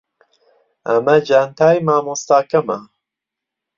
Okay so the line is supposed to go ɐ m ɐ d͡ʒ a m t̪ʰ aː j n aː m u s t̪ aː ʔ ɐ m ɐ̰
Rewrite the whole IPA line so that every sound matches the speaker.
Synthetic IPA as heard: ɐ m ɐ d͡ʒ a n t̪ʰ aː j m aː m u s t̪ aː k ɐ m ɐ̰